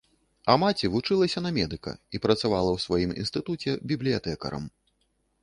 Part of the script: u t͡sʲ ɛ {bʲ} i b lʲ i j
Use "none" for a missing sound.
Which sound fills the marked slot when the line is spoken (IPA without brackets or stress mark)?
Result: bʲ